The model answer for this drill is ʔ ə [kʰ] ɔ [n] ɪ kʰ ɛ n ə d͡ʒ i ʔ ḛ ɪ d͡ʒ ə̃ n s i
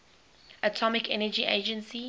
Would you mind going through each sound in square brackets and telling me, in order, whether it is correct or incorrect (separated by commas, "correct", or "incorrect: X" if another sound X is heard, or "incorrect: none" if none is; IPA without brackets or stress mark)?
incorrect: tʰ, incorrect: m